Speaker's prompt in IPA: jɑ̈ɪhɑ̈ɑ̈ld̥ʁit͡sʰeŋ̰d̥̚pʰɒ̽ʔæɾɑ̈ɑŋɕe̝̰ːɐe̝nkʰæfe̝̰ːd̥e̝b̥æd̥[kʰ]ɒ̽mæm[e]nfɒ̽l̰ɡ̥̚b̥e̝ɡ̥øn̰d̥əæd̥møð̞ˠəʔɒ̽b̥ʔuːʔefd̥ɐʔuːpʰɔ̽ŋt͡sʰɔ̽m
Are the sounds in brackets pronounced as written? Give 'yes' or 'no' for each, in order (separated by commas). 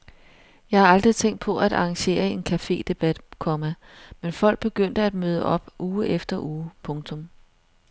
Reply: yes, yes